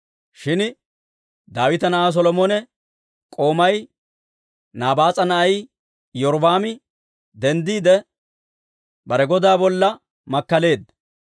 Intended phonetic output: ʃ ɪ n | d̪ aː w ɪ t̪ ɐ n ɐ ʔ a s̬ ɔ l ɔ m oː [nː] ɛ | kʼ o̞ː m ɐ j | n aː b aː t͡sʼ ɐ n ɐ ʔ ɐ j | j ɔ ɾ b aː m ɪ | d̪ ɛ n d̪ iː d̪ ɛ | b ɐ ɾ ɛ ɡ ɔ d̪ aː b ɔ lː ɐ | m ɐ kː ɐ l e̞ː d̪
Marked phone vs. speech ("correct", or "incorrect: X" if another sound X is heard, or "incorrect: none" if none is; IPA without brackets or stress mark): incorrect: n